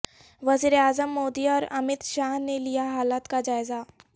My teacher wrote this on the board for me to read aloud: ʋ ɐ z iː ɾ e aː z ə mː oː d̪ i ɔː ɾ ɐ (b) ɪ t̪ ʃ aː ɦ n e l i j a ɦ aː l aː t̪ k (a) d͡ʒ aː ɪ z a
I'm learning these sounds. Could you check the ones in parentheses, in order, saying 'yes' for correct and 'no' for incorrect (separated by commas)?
no, yes